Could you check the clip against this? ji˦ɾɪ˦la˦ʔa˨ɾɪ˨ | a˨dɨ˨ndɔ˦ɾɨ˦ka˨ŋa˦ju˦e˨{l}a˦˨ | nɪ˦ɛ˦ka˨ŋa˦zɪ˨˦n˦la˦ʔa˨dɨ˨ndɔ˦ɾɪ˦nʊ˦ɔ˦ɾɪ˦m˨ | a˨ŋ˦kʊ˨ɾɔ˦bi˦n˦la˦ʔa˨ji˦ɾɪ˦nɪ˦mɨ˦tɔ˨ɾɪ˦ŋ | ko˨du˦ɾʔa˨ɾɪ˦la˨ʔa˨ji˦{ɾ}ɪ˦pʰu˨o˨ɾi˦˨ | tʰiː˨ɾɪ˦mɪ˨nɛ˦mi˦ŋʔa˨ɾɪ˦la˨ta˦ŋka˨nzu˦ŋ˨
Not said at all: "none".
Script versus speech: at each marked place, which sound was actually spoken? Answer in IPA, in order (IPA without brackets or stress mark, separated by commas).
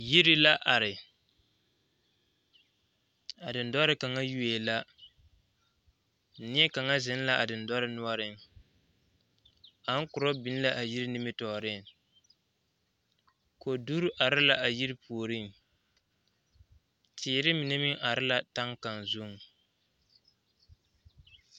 l, ɾ